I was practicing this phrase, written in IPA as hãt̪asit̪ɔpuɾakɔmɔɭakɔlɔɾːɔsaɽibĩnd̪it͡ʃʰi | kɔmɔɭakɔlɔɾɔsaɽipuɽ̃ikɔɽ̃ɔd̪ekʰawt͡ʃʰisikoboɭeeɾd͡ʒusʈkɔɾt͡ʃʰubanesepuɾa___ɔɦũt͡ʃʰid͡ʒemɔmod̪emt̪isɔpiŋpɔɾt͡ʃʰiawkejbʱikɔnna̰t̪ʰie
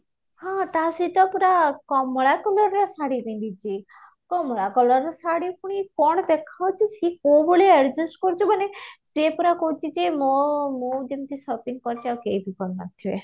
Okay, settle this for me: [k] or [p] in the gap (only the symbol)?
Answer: k